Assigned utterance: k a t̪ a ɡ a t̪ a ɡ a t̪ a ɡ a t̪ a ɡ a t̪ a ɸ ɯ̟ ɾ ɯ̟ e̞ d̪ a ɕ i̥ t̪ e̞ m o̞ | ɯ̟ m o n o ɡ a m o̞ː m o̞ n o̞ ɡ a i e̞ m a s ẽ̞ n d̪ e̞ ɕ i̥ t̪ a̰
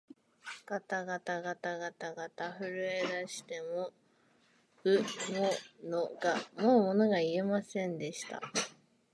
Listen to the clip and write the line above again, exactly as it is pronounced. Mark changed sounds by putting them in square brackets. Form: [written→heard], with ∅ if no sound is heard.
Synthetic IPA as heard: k a t̪ a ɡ a t̪ a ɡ a t̪ a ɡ a t̪ a ɡ a t̪ a ɸ ɯ̟ ɾ ɯ̟ e̞ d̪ a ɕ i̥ t̪ e̞ m o̞ | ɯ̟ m o n o ɡ a m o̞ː m o̞ n o̞ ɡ a i e̞ m a s ẽ̞ n d̪ e̞ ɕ i̥ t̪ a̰

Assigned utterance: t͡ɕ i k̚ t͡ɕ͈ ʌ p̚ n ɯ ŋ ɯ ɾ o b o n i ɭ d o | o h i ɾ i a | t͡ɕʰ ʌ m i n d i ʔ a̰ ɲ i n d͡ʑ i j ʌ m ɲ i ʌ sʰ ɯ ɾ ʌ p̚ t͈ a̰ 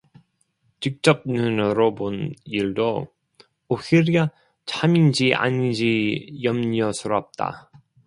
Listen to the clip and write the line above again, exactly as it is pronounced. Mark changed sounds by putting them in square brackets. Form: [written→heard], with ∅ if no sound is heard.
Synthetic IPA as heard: t͡ɕ i k̚ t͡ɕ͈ ʌ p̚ n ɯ [ŋ→n] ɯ ɾ o b o n i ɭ d o | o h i ɾ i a | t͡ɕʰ [ʌ→a] m i n [d→d͡ʑ] i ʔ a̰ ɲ i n d͡ʑ i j ʌ m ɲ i ʌ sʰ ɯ ɾ ʌ p̚ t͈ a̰

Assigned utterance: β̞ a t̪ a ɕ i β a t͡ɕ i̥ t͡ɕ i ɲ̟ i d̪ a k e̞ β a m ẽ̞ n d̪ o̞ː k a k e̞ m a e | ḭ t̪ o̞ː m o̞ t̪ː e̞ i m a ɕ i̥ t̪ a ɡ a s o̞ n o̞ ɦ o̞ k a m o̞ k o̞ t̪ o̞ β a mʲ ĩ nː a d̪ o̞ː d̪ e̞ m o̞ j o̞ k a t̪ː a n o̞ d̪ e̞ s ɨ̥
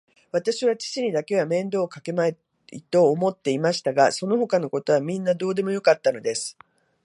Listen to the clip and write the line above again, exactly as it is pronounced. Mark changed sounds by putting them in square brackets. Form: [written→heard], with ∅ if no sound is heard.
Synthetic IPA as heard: β̞ a t̪ a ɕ i β a t͡ɕ i̥ t͡ɕ i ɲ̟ i d̪ a k e̞ β a m ẽ̞ n d̪ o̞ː k a k e̞ m a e | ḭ t̪ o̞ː m o̞ t̪ː e̞ i m a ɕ i̥ t̪ a ɡ a s o̞ n o̞ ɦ o̞ k a [m→n] o̞ k o̞ t̪ o̞ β a mʲ ĩ nː a d̪ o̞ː d̪ e̞ m o̞ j o̞ k a t̪ː a n o̞ d̪ e̞ s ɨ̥

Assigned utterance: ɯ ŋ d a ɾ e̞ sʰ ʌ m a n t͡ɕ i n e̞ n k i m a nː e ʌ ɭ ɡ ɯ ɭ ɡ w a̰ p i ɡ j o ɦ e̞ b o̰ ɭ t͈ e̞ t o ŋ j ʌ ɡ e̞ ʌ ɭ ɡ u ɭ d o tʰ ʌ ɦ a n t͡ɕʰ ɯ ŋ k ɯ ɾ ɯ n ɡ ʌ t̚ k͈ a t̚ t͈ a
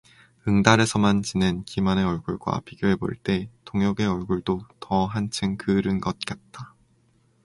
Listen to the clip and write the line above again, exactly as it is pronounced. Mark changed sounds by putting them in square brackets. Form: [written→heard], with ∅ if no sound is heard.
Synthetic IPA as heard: ɯ ŋ d a ɾ e̞ sʰ ʌ m a n t͡ɕ i n e̞ n k i m a [nː→n] e ʌ ɭ ɡ [ɯ→u] ɭ ɡ w a̰ p i ɡ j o ɦ e̞ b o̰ ɭ t͈ e̞ t o ŋ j ʌ ɡ e̞ ʌ ɭ ɡ u ɭ d o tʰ ʌ ɦ a n t͡ɕʰ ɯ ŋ k ɯ ɾ ɯ n ɡ ʌ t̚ k͈ a t̚ t͈ a

